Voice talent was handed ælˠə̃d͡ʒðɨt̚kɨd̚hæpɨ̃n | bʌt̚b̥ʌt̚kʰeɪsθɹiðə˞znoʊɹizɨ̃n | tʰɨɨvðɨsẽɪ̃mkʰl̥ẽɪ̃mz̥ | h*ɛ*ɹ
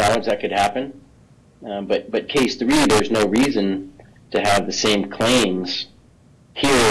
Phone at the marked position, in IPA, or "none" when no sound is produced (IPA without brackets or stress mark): i